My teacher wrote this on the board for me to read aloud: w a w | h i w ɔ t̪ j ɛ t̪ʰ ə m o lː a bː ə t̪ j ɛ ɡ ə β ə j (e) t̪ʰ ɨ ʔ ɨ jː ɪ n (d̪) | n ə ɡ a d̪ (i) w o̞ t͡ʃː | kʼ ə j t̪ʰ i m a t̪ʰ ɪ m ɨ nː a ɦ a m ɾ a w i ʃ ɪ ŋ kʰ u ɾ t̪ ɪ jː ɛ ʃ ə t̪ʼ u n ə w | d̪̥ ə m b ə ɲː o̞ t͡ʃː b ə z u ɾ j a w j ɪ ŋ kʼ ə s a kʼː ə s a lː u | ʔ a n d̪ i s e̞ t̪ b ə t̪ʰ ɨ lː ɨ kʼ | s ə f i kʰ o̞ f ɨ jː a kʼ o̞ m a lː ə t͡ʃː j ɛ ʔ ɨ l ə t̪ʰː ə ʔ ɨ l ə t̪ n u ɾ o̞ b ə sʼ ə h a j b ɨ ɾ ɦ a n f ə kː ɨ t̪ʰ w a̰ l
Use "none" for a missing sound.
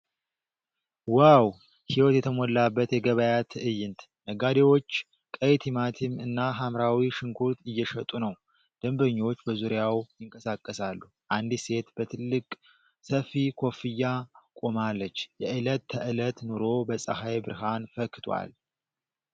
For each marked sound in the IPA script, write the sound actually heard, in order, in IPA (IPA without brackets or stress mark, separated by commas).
a, t̪, e